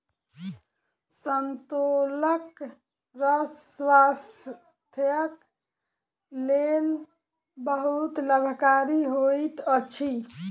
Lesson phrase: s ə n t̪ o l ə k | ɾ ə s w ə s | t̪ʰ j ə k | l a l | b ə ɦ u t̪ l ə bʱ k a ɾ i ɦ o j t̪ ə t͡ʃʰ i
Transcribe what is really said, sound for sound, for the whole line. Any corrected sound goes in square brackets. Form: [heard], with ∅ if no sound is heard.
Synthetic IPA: s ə n t̪ o l ə k | ɾ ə s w [a] s | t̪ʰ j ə k | l [e] l | b ə ɦ u t̪ l ə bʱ k a ɾ i ɦ o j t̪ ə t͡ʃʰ i